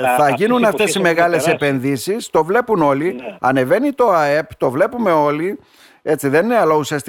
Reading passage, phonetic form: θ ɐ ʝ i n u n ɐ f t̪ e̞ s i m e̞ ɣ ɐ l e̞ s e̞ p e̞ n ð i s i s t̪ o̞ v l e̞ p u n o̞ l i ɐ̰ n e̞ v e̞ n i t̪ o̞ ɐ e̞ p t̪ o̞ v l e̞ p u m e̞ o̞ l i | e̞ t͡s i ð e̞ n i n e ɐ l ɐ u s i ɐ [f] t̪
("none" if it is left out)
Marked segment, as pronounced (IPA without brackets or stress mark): s